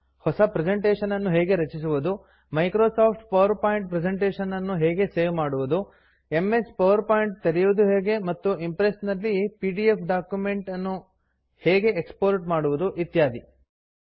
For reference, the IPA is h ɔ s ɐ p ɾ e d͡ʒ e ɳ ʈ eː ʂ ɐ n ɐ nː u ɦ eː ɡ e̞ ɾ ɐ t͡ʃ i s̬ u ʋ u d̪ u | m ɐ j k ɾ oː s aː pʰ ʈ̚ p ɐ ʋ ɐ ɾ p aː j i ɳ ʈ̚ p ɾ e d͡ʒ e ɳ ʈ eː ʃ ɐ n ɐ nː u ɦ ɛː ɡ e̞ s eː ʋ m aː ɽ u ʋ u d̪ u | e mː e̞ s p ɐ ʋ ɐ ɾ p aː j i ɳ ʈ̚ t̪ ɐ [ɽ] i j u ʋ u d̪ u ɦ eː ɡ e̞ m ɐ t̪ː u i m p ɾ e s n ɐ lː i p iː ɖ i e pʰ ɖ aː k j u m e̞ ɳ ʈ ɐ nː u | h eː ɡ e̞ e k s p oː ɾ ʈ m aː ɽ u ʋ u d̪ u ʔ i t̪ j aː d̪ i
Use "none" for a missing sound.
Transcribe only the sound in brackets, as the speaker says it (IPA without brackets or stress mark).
ɾ